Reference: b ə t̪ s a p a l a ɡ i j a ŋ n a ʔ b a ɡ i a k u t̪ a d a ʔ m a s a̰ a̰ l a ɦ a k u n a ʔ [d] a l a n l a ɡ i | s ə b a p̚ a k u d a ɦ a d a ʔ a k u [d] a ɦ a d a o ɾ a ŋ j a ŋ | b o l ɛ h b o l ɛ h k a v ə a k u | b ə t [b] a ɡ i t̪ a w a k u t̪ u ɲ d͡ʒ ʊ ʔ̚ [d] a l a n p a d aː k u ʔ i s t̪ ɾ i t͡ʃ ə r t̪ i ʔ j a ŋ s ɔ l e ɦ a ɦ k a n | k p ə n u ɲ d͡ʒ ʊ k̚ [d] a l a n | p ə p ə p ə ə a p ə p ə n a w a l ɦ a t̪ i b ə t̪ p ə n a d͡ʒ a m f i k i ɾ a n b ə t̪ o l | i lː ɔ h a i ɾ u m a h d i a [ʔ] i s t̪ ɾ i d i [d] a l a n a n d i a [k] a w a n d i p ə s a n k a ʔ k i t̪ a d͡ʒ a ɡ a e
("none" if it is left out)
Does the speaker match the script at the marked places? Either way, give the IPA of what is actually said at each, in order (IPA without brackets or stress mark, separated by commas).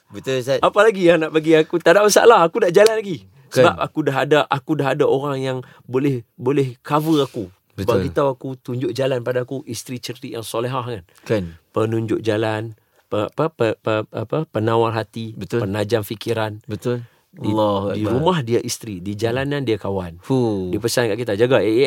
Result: d͡ʒ, d, b, d͡ʒ, d͡ʒ, ʔ, d͡ʒ, k